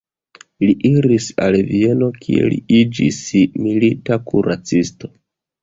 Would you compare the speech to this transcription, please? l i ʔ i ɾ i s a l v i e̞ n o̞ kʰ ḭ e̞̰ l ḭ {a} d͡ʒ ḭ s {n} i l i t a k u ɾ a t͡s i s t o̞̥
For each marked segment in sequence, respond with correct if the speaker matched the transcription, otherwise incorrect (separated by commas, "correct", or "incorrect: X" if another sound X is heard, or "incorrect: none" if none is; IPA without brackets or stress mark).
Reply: incorrect: i, incorrect: m